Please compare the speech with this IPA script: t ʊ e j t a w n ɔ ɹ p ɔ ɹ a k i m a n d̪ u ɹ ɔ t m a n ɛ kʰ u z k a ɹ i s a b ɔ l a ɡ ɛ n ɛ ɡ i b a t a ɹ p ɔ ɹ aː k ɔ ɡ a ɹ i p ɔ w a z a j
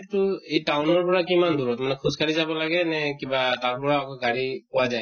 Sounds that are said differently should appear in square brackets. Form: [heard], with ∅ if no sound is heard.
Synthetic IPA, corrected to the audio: t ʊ e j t a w n ɔ ɹ p ɔ ɹ a k i m a n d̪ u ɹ ɔ t m a n ɛ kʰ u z k a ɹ i [z] a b ɔ l a ɡ ɛ n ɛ [k] i b a t a ɹ p ɔ ɹ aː k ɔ ɡ a ɹ i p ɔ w a z a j

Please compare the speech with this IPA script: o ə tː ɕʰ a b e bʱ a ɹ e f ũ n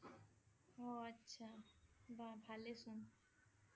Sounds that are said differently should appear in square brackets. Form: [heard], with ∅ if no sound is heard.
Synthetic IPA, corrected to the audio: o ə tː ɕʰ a b [a] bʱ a [l] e [s] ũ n

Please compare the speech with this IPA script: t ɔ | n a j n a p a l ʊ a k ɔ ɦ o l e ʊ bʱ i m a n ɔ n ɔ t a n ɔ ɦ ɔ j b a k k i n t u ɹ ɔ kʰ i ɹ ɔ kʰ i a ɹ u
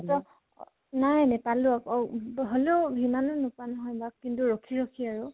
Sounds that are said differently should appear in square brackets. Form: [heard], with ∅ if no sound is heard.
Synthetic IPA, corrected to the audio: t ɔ | n a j n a p a l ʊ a k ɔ ɦ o l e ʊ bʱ i m a n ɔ n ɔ [p] a n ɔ ɦ ɔ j b a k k i n t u ɹ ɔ kʰ i ɹ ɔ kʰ i a ɹ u

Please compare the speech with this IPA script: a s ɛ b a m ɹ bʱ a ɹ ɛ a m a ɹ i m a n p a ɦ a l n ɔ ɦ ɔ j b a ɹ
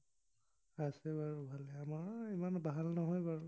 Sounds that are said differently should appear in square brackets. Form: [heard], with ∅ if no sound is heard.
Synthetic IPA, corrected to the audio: a s ɛ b a [∅] ɹ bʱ a [l] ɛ a m a ɹ i m a n [b] a ɦ a l n ɔ ɦ ɔ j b a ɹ

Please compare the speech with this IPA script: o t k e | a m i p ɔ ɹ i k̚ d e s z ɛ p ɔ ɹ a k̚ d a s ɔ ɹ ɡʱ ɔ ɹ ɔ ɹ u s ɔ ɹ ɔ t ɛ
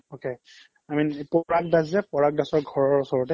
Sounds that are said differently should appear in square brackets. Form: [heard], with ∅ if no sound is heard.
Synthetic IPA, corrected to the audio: o [∅] k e | a m i p ɔ ɹ [a] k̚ d [a] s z ɛ p ɔ ɹ a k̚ d a s ɔ ɹ ɡʱ ɔ ɹ ɔ ɹ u s ɔ ɹ ɔ t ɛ

